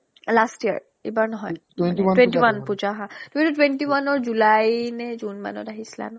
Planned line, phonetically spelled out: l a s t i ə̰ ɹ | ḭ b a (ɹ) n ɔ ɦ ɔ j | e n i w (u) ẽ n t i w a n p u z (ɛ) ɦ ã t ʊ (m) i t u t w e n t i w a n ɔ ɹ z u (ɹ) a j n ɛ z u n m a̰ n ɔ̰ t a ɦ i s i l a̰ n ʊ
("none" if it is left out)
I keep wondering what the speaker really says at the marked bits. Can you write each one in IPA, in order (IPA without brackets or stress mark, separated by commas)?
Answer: ɹ, w, a, m, l